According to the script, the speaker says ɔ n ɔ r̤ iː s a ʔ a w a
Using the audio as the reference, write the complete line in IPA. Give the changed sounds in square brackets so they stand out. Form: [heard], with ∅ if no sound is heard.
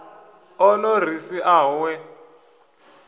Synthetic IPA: ɔ n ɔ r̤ [i] s [i] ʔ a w [ɛ]